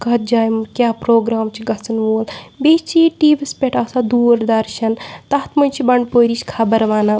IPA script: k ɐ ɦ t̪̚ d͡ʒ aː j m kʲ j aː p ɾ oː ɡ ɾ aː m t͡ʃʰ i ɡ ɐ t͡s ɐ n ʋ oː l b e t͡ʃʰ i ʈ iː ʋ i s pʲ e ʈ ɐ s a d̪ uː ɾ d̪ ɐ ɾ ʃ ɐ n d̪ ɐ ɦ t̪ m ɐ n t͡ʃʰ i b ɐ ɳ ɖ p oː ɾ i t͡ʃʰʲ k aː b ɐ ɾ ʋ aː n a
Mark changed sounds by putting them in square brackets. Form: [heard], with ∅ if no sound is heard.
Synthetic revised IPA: k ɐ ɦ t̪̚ d͡ʒ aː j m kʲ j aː p ɾ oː ɡ ɾ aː m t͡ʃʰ i ɡ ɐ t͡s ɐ n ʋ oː l b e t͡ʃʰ i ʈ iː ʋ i s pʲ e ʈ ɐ s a d̪ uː ɾ d̪ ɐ ɾ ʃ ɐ n [t̪] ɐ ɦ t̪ m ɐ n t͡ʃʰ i b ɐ ɳ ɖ p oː ɾ i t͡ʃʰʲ [kʰ] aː b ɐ ɾ ʋ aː n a